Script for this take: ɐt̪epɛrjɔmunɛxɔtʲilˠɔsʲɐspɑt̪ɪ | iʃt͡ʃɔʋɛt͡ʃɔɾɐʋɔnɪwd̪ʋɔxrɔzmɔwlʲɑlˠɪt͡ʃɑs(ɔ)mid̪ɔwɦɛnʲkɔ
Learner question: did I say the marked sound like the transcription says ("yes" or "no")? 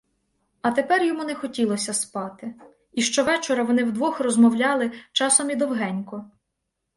yes